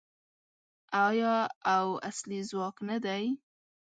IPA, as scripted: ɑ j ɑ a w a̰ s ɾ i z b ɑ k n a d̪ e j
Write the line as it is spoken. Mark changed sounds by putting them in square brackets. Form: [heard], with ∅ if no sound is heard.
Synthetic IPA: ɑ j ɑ a w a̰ s [l] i z [w] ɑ k n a d̪ [a] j